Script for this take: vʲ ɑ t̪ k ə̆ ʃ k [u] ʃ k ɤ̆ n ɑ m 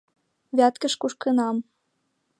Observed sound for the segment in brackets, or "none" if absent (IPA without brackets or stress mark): u